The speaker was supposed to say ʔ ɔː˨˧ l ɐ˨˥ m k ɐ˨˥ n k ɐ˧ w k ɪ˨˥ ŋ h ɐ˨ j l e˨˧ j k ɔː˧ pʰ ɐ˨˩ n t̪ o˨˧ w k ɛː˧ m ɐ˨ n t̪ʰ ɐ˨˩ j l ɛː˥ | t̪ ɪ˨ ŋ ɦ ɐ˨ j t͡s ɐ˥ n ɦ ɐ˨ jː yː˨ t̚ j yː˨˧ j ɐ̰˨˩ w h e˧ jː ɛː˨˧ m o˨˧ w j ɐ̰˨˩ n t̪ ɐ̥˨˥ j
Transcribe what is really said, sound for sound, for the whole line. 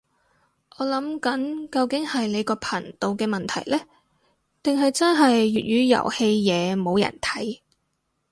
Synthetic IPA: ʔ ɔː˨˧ l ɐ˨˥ m k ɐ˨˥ n k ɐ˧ w k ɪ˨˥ ŋ h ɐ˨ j l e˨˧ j k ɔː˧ pʰ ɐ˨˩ n t̪ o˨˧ w k ɛː˧ m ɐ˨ n t̪ʰ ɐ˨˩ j l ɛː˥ | t̪ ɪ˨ ŋ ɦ ɐ˨ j t͡s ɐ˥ n ɦ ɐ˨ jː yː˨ t̚ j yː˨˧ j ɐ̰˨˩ w h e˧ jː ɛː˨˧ m o˨˧ w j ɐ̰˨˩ n t̪ʰ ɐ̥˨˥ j